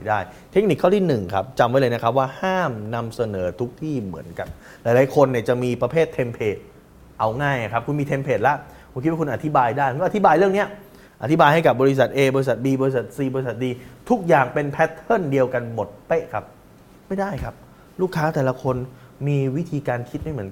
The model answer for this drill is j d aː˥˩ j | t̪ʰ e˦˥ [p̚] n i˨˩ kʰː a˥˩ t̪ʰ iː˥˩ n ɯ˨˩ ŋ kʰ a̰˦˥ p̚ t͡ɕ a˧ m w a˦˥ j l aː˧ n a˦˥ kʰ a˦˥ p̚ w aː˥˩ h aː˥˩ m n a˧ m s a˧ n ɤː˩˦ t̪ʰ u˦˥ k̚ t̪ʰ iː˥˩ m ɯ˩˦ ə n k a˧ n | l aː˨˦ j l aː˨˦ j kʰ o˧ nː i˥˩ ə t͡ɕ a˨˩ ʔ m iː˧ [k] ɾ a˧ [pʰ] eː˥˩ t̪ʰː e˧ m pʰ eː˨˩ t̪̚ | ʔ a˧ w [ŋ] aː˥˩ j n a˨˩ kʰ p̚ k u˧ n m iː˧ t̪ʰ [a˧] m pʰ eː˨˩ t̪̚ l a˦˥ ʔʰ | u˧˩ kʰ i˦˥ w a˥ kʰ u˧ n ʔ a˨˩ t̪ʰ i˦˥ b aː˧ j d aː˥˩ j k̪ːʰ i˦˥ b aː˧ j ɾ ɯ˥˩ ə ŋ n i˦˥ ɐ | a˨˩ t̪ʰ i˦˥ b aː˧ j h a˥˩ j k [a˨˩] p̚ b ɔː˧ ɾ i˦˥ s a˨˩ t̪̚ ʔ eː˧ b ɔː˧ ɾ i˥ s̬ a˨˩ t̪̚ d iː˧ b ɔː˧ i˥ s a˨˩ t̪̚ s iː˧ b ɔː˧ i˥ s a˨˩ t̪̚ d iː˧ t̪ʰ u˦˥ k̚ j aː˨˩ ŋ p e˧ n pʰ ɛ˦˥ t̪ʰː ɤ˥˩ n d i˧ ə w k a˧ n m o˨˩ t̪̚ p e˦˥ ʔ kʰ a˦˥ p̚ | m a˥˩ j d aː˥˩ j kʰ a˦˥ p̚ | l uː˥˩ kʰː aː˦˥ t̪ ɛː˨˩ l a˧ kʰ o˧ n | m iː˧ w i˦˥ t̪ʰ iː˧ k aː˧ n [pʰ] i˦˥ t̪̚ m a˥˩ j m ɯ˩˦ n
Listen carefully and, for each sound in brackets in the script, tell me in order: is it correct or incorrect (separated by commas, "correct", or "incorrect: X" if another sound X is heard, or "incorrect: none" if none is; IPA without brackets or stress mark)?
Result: incorrect: k̚, incorrect: p, correct, correct, incorrect: e˧, correct, incorrect: kʰ